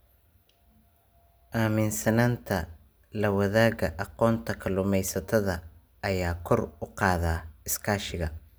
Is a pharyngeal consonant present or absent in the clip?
absent